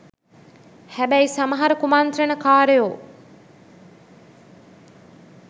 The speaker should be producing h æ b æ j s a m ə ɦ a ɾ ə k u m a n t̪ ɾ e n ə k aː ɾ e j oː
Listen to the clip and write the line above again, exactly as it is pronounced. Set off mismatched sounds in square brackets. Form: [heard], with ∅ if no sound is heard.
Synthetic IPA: h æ b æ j s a m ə ɦ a ɾ ə k u m a n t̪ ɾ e n ə k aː ɾ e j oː